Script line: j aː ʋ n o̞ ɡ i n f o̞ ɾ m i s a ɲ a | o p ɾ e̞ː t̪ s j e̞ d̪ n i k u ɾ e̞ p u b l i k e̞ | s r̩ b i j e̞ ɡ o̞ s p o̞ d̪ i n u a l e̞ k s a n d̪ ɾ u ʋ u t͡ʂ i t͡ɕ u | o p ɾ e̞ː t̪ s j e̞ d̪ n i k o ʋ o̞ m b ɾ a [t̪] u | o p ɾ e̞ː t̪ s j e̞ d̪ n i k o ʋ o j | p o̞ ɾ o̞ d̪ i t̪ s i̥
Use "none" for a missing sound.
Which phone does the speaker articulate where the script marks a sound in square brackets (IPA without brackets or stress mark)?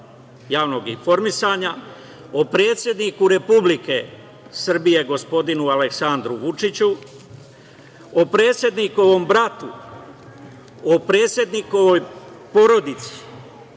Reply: t̪